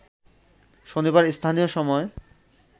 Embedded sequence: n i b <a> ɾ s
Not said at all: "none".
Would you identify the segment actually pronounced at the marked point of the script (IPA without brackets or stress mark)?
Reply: a